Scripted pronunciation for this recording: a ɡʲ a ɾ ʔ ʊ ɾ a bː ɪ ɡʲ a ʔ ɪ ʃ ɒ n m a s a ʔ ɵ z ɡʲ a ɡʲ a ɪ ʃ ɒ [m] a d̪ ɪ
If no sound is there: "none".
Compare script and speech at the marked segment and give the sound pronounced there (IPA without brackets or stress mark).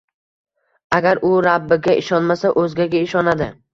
n